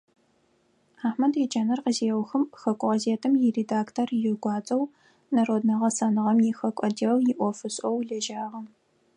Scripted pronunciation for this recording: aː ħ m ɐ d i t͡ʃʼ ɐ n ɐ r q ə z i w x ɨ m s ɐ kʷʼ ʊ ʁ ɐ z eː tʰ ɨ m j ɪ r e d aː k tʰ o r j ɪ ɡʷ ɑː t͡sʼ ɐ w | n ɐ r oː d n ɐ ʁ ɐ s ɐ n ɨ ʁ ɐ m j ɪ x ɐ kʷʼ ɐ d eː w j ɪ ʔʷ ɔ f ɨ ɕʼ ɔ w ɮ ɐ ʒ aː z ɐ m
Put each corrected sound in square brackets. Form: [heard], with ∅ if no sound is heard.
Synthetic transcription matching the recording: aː ħ m ɐ d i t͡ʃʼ ɐ n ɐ r q ə z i w x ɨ m [x] ɐ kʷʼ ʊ ʁ ɐ z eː tʰ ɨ m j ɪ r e d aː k tʰ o r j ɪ ɡʷ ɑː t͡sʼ ɐ w | n ɐ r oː d n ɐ ʁ ɐ s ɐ n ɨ ʁ ɐ m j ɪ x ɐ kʷʼ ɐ d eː w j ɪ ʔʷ ɔ f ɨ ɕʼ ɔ w ɮ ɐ ʒ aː [ʁ] ɐ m